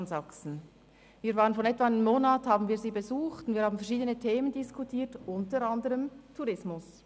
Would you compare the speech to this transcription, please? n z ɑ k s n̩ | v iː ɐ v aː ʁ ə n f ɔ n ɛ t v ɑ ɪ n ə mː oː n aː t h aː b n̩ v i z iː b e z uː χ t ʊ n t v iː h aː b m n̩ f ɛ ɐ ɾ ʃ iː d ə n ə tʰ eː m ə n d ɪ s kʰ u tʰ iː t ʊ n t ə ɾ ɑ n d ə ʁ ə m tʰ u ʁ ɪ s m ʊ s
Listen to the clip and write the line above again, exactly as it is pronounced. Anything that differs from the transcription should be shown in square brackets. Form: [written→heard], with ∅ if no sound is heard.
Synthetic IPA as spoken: n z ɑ k s n̩ | v iː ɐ v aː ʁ ə n f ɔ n ɛ t v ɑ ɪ n ə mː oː n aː t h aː b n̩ v [i→iː] z iː b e z uː χ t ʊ n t v iː h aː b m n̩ f ɛ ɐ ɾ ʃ iː d ə n ə tʰ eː m ə n d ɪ s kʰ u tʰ iː t ʊ n t ə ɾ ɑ n d ə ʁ ə m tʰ u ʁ ɪ s m ʊ s